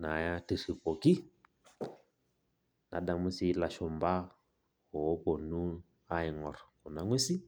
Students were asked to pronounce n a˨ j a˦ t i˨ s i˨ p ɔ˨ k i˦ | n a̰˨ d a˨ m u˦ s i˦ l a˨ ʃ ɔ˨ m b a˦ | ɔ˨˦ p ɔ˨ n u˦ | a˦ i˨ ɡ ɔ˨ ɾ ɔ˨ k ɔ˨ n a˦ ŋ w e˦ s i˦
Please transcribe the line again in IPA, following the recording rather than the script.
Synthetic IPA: n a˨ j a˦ t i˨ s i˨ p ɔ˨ k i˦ | n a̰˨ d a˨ m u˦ s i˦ l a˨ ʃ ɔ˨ m b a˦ | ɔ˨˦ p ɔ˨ n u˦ | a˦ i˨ ŋ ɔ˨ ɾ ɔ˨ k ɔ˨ n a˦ ŋ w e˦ s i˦